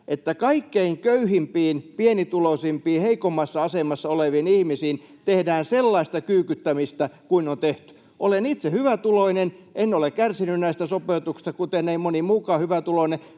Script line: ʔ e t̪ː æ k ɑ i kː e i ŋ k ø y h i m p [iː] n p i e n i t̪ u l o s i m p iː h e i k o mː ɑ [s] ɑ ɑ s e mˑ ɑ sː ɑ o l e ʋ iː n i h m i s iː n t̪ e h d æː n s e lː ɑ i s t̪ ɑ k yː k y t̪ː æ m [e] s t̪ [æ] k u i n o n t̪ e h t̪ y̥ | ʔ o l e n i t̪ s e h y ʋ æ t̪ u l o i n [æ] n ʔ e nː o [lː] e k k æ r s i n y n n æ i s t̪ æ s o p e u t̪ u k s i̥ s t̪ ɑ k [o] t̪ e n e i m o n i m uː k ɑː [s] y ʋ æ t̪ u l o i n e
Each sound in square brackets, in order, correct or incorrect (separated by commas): correct, incorrect, incorrect, correct, incorrect, incorrect, incorrect, incorrect